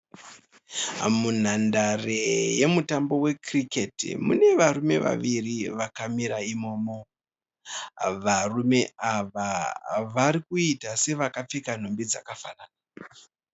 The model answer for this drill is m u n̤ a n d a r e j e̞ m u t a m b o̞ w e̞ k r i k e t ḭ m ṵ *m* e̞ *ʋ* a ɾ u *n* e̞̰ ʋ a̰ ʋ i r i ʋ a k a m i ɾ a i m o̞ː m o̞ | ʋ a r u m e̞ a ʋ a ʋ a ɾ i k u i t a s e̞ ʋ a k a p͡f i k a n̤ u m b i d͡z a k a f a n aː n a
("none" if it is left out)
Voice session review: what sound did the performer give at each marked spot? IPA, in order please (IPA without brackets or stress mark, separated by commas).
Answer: n, ʋ, m